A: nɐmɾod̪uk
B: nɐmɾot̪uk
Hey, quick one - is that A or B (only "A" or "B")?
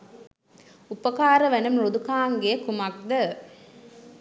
A